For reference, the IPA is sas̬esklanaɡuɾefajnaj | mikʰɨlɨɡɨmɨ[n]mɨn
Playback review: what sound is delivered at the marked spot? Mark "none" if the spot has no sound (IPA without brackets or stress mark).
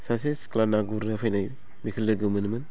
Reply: n